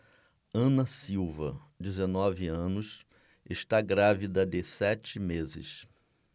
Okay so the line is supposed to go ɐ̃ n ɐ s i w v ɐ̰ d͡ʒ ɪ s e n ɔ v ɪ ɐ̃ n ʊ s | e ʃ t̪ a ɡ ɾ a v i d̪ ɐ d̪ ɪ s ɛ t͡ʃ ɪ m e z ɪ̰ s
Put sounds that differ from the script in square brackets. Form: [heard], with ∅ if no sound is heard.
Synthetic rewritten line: ɐ̃ n ɐ s i w v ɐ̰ d͡ʒ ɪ [z] e n ɔ v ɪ ɐ̃ n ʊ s | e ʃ t̪ a ɡ ɾ a v i d̪ ɐ d̪ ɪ s ɛ t͡ʃ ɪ m e z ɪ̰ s